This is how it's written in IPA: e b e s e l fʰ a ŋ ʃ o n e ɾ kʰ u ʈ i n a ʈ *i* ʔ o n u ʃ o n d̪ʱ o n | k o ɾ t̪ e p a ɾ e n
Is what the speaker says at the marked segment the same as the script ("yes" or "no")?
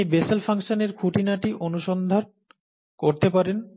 yes